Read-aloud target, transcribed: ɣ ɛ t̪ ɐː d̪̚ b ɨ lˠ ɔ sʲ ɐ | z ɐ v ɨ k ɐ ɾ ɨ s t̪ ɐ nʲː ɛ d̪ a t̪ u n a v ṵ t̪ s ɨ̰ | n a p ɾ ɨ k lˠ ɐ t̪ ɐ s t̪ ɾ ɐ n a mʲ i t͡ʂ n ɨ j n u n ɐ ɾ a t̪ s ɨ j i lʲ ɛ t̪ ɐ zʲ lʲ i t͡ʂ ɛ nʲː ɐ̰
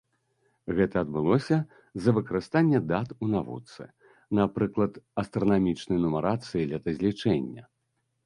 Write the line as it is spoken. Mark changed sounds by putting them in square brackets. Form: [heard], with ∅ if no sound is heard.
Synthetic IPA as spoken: ɣ ɛ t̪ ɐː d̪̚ b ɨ lˠ ɔ sʲ ɐ | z ɐ v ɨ k ɐ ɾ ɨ s t̪ [a] nʲː ɛ d̪ a t̪ u n a v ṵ t̪ s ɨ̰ | n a p ɾ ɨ k lˠ ɐ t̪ ɐ s t̪ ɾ ɐ n a mʲ i t͡ʂ n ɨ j n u [m] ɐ ɾ a t̪ s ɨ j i lʲ ɛ t̪ ɐ zʲ lʲ i t͡ʂ ɛ nʲː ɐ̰